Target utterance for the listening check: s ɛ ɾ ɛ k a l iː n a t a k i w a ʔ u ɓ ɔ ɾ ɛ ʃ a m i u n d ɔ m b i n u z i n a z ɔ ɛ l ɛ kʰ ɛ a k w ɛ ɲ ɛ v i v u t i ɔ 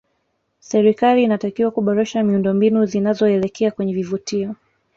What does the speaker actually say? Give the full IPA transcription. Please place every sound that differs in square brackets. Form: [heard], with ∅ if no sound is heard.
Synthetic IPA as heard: s ɛ ɾ [i] k a l iː n a t a k i w a [k] u ɓ ɔ ɾ ɛ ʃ a m i u n d ɔ m b i n u z i n a z ɔ ɛ l ɛ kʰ ɛ a k w ɛ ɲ ɛ v i v u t i ɔ